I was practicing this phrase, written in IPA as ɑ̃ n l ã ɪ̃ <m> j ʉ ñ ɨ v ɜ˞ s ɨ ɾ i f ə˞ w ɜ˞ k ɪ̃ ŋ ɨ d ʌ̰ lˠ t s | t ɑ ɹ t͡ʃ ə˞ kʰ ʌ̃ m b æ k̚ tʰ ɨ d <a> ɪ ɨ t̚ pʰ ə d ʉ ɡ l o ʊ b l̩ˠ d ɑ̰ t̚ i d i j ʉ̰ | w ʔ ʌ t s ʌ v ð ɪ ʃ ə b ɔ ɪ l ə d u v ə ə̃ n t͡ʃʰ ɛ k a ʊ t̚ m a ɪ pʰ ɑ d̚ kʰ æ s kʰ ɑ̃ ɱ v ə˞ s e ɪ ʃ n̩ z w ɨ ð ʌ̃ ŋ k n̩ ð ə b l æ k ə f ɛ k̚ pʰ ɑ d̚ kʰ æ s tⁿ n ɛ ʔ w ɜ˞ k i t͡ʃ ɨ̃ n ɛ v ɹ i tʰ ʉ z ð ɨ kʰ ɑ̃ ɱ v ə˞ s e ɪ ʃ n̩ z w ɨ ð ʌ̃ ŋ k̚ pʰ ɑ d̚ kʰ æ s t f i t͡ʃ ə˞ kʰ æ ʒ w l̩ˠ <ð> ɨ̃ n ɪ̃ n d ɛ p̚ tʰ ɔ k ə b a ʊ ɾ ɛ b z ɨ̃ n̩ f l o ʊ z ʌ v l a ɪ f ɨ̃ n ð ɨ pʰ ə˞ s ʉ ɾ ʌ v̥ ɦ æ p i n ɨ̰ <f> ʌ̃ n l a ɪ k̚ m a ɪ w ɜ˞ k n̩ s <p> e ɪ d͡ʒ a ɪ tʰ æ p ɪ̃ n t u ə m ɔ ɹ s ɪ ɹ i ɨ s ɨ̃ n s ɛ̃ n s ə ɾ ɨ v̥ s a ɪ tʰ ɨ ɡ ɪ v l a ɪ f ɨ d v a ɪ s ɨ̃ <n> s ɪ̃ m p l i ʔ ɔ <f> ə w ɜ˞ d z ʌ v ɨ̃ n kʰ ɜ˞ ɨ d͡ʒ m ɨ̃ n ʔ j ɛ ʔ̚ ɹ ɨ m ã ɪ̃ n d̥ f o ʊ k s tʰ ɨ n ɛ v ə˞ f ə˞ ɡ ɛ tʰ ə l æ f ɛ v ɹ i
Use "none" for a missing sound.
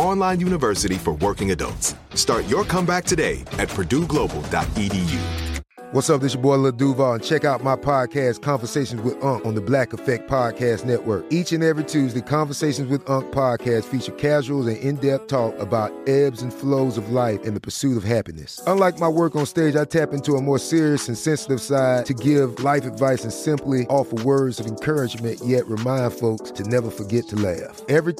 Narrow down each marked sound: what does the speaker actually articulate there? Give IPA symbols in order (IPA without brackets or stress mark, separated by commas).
n, e, z, s, t, n, f